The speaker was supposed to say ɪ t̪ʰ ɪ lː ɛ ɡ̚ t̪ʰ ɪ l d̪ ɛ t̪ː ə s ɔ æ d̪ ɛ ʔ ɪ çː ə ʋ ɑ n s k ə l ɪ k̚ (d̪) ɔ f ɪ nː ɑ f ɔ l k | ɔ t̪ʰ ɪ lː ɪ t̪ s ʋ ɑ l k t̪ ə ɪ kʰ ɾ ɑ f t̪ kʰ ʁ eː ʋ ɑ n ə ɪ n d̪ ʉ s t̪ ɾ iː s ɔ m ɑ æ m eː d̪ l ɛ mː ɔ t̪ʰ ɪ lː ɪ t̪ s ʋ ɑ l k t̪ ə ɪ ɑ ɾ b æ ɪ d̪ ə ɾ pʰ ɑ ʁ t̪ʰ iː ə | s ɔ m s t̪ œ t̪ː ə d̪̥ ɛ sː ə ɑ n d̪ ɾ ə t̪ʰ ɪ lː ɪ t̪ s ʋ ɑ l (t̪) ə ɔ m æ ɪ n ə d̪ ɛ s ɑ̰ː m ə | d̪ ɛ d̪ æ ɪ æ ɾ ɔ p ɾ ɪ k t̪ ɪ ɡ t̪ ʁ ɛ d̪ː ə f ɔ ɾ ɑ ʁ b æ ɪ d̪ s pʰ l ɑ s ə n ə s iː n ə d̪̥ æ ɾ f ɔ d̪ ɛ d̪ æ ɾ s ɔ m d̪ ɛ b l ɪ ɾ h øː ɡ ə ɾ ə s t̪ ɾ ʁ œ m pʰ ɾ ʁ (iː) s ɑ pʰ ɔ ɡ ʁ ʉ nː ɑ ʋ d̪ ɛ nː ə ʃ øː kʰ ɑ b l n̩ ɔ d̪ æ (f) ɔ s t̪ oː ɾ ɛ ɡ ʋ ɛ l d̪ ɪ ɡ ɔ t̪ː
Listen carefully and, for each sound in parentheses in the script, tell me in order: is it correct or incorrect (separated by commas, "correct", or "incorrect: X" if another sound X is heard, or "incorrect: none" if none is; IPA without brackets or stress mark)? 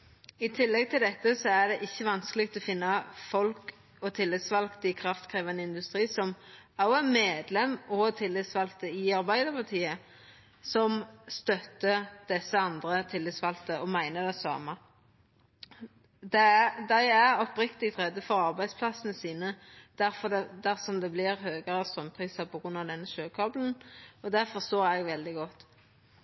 incorrect: t̪, correct, correct, correct